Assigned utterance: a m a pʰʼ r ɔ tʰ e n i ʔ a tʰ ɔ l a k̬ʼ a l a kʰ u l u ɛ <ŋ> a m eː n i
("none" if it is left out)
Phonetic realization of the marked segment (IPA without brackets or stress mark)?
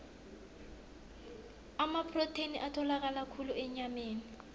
ɲ